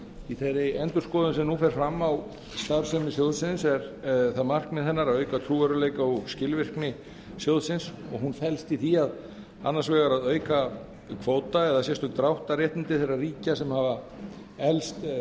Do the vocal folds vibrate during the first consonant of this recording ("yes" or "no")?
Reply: no